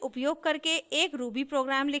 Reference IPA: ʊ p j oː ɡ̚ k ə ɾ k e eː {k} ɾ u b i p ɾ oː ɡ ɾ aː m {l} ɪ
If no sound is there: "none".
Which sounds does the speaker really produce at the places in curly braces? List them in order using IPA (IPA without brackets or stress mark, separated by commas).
k, l